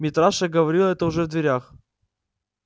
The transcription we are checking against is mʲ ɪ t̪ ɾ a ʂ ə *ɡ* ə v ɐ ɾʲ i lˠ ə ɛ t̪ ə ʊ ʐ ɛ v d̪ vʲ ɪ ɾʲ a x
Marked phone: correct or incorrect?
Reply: correct